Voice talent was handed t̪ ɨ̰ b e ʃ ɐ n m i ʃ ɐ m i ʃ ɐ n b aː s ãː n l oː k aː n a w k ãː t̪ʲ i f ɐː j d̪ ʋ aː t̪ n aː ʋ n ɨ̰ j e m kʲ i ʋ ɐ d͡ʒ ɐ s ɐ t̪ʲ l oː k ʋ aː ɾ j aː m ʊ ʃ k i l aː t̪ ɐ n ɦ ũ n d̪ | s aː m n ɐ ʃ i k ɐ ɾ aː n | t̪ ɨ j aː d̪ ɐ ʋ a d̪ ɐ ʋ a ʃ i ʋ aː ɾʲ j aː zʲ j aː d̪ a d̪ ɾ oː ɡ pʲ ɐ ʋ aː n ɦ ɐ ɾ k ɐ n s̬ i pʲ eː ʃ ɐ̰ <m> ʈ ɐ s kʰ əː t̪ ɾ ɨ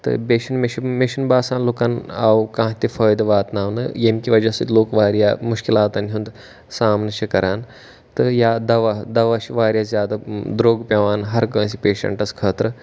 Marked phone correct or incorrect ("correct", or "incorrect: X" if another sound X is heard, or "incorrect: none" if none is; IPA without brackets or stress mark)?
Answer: incorrect: ɳ